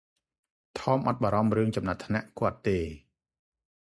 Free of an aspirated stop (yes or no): no